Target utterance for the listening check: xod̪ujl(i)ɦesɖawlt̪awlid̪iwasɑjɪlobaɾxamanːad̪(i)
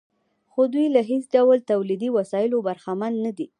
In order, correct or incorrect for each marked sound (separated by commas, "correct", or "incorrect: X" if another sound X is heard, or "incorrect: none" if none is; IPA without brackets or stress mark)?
incorrect: a, correct